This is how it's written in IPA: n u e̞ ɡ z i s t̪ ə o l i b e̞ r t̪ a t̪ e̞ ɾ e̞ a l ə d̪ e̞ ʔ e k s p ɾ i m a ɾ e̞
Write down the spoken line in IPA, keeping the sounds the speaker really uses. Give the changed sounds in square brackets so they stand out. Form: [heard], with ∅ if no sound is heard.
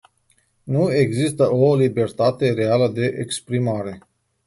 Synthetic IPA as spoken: n u e̞ ɡ z i s t̪ ə o l i b e̞ r t̪ a t̪ e̞ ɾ e̞ a l ə d̪ e̞ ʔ e k s p ɾ i m a ɾ e̞